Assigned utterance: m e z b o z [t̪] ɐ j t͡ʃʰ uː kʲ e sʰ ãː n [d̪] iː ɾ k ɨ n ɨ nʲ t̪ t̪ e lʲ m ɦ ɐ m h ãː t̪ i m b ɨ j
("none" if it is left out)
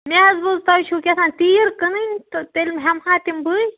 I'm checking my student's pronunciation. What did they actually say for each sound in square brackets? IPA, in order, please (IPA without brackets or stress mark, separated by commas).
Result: t̪, t̪